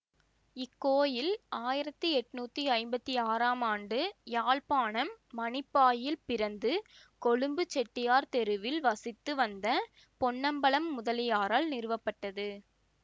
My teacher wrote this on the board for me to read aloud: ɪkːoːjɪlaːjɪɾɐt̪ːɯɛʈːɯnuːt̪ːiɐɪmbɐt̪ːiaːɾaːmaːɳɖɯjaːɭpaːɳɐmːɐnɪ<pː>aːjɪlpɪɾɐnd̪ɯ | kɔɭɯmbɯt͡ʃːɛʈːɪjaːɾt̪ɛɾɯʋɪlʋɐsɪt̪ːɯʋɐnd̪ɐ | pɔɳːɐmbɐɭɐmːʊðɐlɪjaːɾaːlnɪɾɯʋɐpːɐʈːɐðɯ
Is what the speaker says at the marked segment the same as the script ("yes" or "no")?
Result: yes